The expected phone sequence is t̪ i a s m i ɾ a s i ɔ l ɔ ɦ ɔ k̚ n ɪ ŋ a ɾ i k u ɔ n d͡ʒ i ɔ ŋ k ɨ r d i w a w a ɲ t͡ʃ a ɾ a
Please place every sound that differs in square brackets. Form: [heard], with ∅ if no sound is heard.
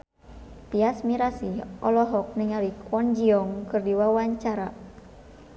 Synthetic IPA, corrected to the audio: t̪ i a s m i ɾ a s i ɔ l ɔ ɦ ɔ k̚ n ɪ ŋ a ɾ i k [w] ɔ n d͡ʒ i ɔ ŋ k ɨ r d i w a w a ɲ t͡ʃ a ɾ a